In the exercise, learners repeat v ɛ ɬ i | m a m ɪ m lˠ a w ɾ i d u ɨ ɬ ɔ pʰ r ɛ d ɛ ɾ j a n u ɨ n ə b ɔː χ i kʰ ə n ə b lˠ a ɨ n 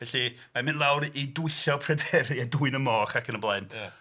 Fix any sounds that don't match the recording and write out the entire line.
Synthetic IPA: v ɛ ɬ i | m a m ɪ n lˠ a w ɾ i d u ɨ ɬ ɔ pʰ r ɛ d ɛ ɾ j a d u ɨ n ə m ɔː χ a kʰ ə n ə b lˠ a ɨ n